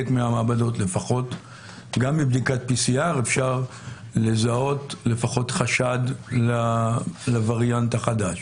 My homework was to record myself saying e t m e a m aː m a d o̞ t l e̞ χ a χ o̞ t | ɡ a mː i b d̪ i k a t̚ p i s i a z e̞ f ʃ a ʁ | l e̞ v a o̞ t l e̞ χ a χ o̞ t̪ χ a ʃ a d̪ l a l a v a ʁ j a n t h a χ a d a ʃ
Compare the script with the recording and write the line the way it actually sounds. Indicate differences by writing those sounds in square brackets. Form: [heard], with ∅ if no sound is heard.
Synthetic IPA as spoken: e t m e a m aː [b] a d o̞ t l e̞ [f] a χ o̞ t | ɡ a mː i b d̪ i k a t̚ p i s i a [ʁ] e̞ f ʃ a ʁ | l e̞ [z] a o̞ t l e̞ [f] a χ o̞ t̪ χ a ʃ a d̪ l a l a v a ʁ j a n t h a χ a d a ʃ